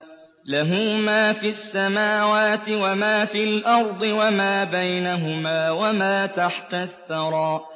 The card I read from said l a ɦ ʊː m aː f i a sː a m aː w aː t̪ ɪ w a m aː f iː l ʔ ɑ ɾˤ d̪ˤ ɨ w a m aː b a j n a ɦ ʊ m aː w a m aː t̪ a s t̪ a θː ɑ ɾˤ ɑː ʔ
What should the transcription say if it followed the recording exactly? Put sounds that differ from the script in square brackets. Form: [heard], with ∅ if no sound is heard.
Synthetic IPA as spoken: l a ɦ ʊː m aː f i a sː a m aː w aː t̪ ɪ w a m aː f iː l ʔ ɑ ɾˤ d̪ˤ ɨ w a m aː b a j n a ɦ ʊ m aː w a m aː t̪ a [ħ] t̪ a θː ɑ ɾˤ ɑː ʔ